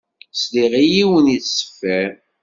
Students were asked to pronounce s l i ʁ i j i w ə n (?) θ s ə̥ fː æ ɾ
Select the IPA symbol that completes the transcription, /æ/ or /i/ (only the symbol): i